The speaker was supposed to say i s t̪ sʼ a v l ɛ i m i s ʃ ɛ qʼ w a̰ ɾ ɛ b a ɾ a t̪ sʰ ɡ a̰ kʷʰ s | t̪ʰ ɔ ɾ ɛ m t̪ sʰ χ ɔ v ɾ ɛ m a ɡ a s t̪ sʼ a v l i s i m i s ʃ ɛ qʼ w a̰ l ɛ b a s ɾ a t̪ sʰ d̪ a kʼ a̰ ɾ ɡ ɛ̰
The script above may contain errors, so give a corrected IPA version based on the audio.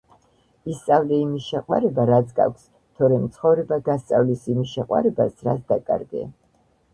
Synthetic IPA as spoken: i s t̪ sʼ a v l ɛ i m i s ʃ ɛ qʼ w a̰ ɾ ɛ b a ɾ a t̪ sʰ ɡ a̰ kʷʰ s | t̪ʰ ɔ ɾ ɛ m t̪ sʰ χ ɔ v ɾ ɛ b a ɡ a s t̪ sʼ a v l i s i m i s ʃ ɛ qʼ w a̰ ɾ ɛ b a s ɾ a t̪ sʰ d̪ a kʼ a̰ ɾ ɡ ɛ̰